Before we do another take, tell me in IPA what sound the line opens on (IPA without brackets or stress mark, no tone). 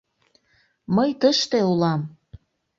m